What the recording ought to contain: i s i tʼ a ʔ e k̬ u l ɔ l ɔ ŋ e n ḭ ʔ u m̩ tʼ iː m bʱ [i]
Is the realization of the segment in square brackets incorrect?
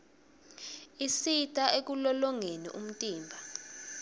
yes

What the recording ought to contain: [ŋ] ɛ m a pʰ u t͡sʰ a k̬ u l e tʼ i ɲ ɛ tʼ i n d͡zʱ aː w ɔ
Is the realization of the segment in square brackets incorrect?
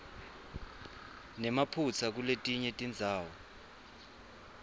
yes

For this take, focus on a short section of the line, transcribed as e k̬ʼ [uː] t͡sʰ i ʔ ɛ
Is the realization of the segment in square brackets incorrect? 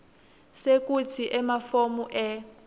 yes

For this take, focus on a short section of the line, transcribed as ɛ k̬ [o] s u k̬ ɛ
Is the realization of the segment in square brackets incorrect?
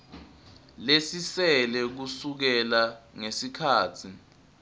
yes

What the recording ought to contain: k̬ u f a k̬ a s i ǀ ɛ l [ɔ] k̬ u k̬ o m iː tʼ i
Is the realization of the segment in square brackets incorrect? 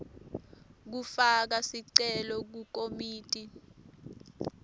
no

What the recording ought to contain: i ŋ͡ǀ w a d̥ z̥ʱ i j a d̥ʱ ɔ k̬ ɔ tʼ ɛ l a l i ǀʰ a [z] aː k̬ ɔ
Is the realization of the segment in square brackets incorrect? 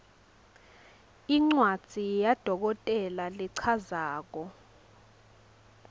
no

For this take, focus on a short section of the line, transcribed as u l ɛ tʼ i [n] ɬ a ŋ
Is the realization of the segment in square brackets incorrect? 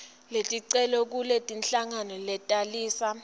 no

